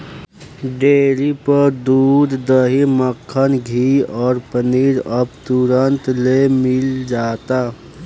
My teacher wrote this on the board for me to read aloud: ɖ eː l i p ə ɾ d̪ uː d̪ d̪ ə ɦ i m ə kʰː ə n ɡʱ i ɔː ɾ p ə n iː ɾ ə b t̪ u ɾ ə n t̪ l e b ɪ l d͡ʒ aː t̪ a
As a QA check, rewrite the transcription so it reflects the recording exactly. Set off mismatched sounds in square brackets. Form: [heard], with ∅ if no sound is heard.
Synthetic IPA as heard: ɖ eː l i p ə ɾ d̪ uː d̪ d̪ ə ɦ i m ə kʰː ə n ɡʱ i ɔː ɾ p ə n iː ɾ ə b t̪ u ɾ ə n t̪ l e [m] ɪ l d͡ʒ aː t̪ a